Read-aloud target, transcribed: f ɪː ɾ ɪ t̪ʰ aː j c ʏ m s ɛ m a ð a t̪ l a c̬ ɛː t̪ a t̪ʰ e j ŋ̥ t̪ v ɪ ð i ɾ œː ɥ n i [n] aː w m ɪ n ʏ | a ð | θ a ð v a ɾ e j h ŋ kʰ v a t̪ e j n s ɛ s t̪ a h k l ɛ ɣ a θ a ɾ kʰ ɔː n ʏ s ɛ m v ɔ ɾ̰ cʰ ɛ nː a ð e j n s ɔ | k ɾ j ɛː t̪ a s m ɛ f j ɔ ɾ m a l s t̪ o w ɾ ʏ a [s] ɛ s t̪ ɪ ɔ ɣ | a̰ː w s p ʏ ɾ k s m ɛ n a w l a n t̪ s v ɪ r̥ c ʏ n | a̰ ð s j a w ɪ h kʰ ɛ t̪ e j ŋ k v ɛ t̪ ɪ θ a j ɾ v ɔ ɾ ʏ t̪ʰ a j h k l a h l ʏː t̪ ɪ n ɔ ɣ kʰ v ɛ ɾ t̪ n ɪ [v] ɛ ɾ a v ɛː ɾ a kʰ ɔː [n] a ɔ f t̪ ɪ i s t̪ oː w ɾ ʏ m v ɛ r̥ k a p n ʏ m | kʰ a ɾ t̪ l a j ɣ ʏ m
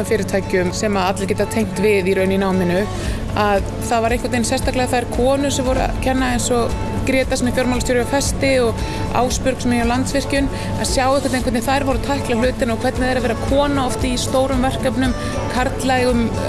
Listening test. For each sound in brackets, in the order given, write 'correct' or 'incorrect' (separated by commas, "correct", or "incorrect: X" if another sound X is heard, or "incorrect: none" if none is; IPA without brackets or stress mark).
correct, incorrect: f, incorrect: ð, correct